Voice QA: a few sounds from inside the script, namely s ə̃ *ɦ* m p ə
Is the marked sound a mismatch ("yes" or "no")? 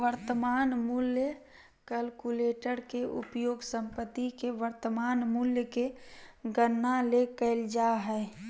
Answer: yes